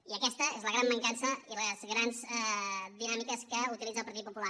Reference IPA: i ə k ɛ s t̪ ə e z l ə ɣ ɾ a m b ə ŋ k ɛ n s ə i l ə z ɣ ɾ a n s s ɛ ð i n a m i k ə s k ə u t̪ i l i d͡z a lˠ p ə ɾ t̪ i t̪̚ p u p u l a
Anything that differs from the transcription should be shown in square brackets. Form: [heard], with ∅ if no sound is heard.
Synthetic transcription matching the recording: i ə k ɛ s t̪ ə e z l ə ɣ ɾ a m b ə ŋ k [a] n s ə i l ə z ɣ ɾ a n [z] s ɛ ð i n a m i k ə s k ə u t̪ i l i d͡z [ə] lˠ p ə ɾ t̪ i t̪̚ p u p u l a